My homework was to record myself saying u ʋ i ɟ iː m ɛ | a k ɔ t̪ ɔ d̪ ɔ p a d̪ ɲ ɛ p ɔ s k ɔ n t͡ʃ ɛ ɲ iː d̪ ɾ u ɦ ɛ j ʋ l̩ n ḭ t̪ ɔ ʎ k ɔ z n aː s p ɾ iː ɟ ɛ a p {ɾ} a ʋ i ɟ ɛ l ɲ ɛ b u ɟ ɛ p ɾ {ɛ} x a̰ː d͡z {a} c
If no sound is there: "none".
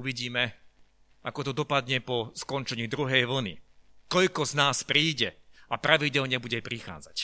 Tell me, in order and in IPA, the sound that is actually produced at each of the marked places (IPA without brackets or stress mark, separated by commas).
ɾ, i, a